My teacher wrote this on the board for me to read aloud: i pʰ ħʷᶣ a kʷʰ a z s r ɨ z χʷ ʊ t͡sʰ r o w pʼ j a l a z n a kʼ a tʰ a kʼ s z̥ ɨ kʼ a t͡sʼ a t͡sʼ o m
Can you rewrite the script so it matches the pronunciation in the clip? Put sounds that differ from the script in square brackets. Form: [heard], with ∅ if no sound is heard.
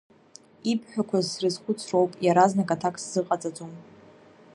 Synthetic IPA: i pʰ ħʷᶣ a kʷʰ a z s r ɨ z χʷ ʊ t͡sʰ r o w pʼ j a [ɾ] a z n a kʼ a tʰ a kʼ s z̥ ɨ [qʼ] a t͡sʼ a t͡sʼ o m